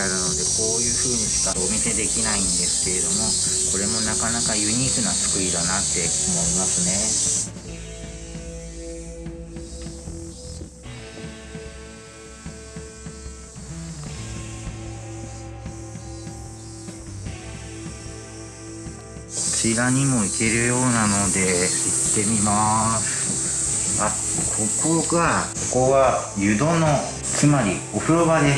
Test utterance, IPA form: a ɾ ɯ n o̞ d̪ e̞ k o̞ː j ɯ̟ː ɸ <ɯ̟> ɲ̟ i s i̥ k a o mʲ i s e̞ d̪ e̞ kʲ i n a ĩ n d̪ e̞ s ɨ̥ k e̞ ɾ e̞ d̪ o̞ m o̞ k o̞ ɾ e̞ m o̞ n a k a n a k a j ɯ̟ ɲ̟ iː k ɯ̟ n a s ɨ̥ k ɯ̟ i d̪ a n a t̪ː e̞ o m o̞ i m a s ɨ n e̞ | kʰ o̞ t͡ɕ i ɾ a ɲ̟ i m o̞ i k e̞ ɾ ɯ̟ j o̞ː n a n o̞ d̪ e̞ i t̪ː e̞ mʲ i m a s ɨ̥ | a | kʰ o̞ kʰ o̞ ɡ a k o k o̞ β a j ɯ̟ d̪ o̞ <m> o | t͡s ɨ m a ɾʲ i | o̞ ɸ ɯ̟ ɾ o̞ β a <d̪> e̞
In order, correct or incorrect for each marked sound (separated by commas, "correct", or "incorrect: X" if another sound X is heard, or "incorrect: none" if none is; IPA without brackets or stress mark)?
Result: incorrect: ɯ̟ː, incorrect: n, correct